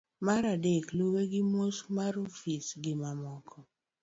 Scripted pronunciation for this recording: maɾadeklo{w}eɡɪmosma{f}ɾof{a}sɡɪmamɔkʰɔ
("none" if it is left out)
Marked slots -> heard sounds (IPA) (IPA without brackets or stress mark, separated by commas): w, none, i